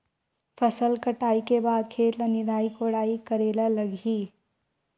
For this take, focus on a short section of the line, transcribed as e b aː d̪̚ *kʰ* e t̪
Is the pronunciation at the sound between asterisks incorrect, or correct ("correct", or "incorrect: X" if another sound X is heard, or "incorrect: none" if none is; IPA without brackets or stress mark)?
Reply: correct